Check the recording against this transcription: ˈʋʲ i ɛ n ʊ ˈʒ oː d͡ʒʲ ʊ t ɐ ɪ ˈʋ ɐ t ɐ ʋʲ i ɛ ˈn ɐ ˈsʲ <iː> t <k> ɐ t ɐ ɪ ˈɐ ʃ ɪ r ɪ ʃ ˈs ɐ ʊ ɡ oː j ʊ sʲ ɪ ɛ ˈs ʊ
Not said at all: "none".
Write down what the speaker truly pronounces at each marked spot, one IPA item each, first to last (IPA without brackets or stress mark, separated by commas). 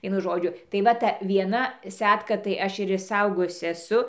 æː, k